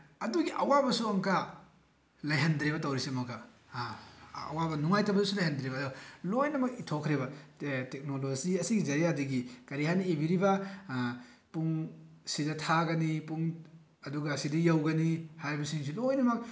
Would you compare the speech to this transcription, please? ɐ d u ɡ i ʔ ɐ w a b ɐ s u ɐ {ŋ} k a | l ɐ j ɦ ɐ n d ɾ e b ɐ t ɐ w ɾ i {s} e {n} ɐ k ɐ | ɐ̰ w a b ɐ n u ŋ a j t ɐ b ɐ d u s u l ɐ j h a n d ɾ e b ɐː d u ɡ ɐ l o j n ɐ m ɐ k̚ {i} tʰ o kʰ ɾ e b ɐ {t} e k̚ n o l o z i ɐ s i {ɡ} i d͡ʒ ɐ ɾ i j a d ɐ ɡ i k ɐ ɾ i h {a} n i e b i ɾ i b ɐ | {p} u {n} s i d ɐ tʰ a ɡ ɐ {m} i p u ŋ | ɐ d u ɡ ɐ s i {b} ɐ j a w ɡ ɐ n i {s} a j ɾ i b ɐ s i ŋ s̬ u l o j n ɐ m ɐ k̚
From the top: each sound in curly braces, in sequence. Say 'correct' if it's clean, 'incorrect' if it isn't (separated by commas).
correct, correct, incorrect, correct, correct, correct, correct, correct, incorrect, incorrect, incorrect, incorrect